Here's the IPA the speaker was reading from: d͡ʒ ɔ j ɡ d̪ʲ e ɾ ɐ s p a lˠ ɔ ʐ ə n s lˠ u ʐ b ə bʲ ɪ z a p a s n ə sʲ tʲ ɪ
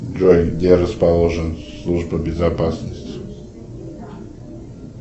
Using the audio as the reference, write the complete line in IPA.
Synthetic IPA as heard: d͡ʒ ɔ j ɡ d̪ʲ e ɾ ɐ s p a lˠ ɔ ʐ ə n s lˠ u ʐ b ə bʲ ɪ z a p a s n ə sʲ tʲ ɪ